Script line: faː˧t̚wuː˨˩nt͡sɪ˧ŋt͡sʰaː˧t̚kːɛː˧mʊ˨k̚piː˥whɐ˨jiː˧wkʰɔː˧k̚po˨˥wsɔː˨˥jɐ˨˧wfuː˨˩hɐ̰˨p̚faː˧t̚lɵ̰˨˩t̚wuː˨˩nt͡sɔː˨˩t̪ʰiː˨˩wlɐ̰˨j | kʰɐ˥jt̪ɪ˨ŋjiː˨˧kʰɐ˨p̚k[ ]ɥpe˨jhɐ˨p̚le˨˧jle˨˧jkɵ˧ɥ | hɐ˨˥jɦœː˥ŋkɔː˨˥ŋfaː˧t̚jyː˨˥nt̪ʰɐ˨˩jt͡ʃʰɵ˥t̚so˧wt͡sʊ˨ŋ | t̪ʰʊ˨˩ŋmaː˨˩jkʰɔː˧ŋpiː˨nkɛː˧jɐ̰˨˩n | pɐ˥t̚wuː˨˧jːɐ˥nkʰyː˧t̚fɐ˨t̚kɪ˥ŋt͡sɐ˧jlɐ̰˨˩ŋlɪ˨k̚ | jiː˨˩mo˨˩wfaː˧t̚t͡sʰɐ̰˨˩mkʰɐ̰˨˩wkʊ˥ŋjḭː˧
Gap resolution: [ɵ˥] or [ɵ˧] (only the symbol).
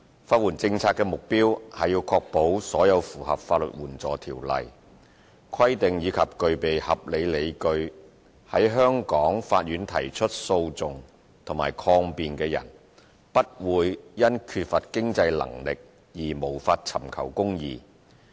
ɵ˧